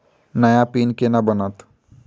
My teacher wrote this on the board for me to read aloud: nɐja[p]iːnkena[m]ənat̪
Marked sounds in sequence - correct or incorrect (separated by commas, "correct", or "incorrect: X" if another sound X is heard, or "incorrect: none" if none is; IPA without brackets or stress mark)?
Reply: correct, incorrect: b